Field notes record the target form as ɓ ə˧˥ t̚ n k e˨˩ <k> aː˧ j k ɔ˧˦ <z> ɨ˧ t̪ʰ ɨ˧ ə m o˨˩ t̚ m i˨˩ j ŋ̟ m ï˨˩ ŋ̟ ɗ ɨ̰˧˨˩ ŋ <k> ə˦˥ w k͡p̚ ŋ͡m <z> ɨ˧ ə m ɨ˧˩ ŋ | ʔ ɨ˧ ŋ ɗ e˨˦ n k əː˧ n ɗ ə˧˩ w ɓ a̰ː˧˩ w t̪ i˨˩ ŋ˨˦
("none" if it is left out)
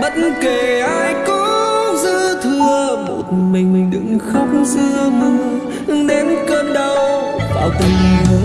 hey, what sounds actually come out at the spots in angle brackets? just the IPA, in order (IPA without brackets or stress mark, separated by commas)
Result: ʔ, z, x, z